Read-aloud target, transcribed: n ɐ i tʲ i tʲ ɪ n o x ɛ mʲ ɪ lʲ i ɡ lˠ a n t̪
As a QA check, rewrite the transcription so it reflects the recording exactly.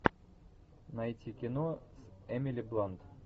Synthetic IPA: n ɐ j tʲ i kʲ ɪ n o s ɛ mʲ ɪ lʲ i b lˠ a n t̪